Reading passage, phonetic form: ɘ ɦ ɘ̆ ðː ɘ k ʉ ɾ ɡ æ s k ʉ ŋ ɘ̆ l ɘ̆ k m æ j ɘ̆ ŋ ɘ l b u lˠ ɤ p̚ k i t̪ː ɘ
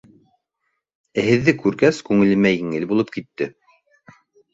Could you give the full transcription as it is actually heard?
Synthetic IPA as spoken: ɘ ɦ ɘ̆ ðː ɘ k ʉ ɾ ɡ æ s k ʉ ŋ ɘ̆ l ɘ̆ m æ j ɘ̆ ŋ ɘ l b u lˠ ɤ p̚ k i t̪ː ɘ